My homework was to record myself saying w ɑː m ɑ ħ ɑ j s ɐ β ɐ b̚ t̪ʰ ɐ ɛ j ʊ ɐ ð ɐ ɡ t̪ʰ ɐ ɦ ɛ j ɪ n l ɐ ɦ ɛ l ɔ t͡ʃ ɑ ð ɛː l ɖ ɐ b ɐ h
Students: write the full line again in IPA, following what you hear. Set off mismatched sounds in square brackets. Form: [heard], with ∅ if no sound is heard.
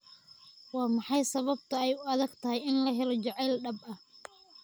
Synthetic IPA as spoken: w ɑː m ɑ ħ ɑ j s ɐ β ɐ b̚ t̪ʰ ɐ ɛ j ʊ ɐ ð ɐ ɡ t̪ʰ ɐ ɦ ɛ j ɪ n l ɐ ɦ ɛ l ɔ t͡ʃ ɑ [ʕ] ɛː l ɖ ɐ b ɐ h